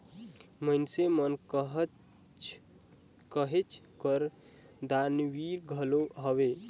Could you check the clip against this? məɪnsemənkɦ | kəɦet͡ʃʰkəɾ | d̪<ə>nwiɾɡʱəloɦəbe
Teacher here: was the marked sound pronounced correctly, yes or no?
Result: no